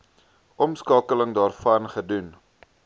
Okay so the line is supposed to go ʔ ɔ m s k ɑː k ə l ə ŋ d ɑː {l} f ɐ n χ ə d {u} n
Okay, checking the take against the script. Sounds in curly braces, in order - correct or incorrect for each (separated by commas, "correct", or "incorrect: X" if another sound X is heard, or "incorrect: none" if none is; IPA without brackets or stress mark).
incorrect: r, correct